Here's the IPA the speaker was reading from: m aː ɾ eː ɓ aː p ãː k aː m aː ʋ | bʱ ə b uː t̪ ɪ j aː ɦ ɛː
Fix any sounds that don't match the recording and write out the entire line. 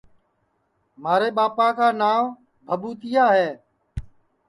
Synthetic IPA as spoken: m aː ɾ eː ɓ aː p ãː k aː n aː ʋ | bʱ ə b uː t̪ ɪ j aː ɦ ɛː

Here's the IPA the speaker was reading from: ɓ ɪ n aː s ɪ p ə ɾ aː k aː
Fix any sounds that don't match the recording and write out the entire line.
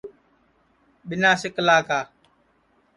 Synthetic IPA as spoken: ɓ ɪ n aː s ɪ k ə l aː k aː

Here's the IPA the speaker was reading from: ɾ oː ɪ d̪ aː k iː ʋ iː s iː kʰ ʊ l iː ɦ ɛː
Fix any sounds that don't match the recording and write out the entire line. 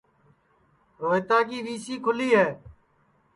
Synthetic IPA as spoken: ɾ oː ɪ t̪ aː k iː ʋ iː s iː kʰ ʊ l iː ɦ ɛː

